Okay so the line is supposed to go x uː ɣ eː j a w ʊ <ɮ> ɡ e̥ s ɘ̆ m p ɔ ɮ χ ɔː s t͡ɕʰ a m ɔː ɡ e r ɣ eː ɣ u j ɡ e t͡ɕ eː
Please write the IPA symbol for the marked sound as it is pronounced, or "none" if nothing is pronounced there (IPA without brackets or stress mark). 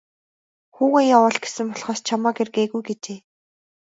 ɮ